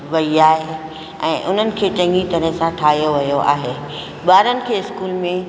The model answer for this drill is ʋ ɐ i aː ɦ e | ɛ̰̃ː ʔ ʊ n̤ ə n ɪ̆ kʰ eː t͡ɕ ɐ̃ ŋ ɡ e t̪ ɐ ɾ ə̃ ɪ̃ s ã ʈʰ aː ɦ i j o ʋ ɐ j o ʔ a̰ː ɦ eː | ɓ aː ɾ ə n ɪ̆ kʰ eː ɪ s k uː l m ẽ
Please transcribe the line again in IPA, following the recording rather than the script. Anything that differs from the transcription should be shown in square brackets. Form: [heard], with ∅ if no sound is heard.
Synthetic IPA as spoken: ʋ ɐ i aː ɦ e | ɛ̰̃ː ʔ ʊ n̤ ə n ɪ̆ kʰ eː t͡ɕ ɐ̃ ŋ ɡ [i] t̪ ɐ ɾ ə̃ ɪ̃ s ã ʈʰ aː ɦ i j o ʋ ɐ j o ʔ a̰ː ɦ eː | ɓ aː ɾ ə n ɪ̆ kʰ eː ɪ s k uː l m ẽ